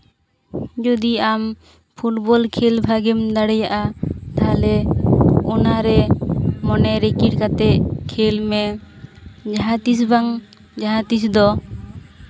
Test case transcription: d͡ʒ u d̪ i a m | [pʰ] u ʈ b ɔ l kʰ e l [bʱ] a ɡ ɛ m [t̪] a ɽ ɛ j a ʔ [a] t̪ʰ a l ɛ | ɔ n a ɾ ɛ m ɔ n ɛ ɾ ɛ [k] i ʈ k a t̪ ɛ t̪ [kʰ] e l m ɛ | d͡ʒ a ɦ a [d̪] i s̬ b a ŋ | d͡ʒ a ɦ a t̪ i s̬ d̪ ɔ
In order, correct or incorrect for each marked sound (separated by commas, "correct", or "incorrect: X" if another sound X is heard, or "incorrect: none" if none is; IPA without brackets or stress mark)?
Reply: correct, correct, incorrect: d̪, correct, correct, correct, incorrect: t̪